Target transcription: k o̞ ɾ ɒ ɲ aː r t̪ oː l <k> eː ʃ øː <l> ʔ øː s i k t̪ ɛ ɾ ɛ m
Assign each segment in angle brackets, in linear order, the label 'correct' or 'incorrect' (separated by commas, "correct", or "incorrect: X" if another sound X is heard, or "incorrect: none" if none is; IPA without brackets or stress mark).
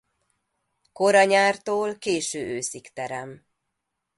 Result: correct, incorrect: none